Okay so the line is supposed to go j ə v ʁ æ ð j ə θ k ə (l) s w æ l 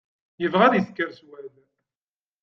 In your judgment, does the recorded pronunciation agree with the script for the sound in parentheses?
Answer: no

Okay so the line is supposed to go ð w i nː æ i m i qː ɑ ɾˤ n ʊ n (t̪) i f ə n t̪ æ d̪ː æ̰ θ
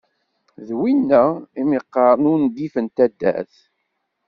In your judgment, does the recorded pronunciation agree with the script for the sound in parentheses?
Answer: no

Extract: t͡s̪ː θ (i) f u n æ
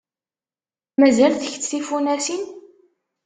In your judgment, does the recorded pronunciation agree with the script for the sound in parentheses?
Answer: yes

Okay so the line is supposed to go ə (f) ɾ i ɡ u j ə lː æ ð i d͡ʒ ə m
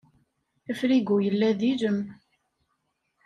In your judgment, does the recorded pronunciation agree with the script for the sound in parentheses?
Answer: yes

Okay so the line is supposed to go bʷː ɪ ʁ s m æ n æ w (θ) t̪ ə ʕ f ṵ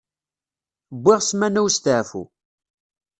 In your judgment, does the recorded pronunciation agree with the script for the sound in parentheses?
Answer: no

